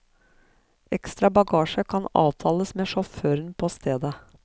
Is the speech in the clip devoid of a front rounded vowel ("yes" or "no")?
no